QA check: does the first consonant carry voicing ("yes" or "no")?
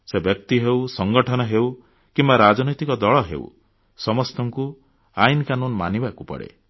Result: no